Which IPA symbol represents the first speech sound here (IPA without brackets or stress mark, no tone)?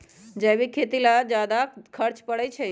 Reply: d͡ʒ